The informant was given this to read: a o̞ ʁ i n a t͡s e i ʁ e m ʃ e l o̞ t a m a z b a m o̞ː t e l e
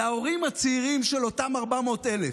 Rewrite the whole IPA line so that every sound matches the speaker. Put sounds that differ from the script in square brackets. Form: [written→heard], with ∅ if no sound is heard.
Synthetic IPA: a o̞ ʁ i [n→m] a t͡s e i ʁ [e→i] m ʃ e l o̞ t a m a [z→ʁ] b a m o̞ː t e l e